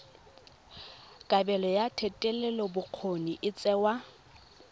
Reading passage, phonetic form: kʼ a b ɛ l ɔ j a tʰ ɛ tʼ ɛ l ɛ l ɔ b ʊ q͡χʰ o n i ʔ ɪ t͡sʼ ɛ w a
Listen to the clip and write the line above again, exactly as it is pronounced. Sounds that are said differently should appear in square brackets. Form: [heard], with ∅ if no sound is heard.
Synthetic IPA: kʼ a b ɛ l ɔ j a tʰ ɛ tʼ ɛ l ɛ l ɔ b ʊ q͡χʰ o n i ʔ ɪ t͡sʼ ɛ w a